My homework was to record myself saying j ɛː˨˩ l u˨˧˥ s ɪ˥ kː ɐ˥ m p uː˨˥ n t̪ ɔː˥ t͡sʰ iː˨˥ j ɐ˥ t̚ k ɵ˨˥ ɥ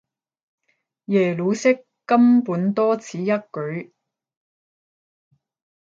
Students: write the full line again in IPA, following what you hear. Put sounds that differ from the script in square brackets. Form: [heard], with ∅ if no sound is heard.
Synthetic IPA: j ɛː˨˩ l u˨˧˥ s ɪ˥ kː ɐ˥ m p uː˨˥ n t̪ ɔː˥ t͡sʰ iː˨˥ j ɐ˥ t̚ k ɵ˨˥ ɥ